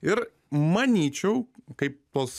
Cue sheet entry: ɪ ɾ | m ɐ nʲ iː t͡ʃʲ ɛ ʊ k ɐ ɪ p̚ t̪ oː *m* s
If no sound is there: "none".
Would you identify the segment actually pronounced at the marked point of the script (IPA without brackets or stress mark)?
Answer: none